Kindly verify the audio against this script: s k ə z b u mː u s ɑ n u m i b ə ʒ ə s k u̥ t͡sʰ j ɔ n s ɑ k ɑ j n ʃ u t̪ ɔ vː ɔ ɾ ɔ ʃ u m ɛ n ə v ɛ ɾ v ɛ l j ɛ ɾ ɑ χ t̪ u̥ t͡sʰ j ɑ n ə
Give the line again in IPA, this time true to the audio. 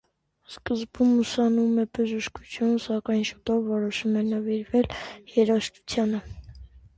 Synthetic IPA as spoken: s k ə z b u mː u s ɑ n u m ɛ b ə ʒ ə ʃ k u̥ t͡sʰ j u n s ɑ k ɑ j n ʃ u t̪ ɔ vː ɔ ɾ ɔ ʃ u m ɛ n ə v i ɾ v ɛ l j ɛ ɾ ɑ ʃ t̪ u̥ t͡sʰ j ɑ n ə